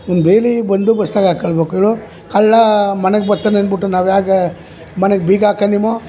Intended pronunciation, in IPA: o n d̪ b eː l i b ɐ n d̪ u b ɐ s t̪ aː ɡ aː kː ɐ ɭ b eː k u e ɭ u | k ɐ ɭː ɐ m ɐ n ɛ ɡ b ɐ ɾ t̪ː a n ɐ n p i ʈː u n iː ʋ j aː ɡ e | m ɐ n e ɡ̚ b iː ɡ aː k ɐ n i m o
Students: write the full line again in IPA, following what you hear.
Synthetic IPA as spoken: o n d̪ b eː l i b ɐ n d̪ u b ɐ s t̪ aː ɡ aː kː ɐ ɭ b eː k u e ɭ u | k ɐ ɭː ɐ m ɐ n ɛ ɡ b ɐ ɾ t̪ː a n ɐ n b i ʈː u n aː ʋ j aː ɡ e | m ɐ n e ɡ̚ b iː ɡ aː k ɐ n i m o